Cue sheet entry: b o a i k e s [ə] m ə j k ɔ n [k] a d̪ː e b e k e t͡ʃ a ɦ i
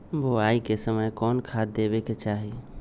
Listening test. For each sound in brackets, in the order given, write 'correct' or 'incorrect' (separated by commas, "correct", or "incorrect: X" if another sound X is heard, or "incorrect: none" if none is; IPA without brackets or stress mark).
correct, incorrect: kʰ